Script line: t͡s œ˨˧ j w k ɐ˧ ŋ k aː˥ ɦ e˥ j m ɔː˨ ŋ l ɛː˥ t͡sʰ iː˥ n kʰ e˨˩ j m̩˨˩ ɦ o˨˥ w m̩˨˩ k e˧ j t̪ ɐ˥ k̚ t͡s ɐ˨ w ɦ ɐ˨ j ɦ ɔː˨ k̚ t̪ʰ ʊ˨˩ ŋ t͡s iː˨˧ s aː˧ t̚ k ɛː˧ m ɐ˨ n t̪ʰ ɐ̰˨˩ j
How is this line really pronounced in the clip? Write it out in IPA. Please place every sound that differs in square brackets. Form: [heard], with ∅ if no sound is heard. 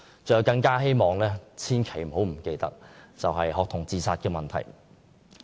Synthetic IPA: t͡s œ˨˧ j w k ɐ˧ ŋ k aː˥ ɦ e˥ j m ɔː˨ ŋ l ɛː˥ t͡sʰ iː˥ n kʰ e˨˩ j m̩˨˩ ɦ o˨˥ w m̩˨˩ k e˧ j t̪ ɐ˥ k̚ t͡s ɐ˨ w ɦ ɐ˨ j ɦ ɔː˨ k̚ t̪ʰ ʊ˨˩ ŋ t͡s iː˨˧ s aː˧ t̚ k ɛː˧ m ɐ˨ n t̪ʰ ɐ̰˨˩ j